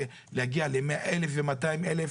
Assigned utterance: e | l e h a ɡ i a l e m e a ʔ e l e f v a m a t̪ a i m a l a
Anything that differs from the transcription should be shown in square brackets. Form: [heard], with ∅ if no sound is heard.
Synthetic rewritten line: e | l e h a ɡ i a l e m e a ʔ e l e f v [e] m a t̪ a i m [e] l [e]